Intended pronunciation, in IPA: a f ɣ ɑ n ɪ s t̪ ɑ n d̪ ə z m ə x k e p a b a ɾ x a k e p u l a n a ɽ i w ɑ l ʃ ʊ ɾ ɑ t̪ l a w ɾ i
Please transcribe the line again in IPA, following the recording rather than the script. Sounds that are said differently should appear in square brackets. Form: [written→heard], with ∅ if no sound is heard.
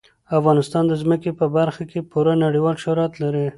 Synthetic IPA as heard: a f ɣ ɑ n ɪ s t̪ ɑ n d̪ ə z m ə [x→∅] k e p [a→ə] b a ɾ x a k e p u [l→ɾ] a n a ɽ i w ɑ l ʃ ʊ ɾ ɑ t̪ l a [w→∅] ɾ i